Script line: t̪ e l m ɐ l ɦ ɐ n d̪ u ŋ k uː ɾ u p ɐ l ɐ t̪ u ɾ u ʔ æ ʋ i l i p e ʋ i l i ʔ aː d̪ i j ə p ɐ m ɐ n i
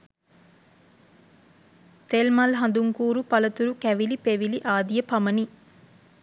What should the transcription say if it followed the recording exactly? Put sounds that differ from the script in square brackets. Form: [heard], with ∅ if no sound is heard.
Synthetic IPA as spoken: t̪ e l m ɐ l ɦ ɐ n d̪ u ŋ k uː ɾ u p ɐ l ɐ t̪ u ɾ u [k] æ ʋ i l i p e ʋ i l i ʔ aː d̪ i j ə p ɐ m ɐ n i